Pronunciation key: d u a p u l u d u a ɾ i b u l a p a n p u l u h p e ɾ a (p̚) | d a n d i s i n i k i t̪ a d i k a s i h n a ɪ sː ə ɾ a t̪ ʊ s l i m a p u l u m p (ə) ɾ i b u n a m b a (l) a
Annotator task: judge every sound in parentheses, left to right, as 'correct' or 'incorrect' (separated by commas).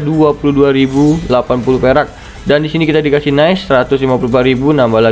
incorrect, incorrect, correct